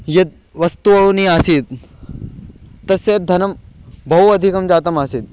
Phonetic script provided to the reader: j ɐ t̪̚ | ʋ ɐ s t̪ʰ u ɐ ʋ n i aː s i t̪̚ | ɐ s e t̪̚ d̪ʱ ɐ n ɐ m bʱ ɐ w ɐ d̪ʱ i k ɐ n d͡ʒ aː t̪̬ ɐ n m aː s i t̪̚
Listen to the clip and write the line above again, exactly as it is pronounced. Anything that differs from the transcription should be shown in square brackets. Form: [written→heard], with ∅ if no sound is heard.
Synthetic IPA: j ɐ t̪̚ | ʋ ɐ s [t̪ʰ→t̪] u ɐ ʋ n i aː s i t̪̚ | ɐ s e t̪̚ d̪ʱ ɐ n ɐ m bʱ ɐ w ɐ d̪ʱ i k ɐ [n→m] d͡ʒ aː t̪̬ ɐ [n→∅] m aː s i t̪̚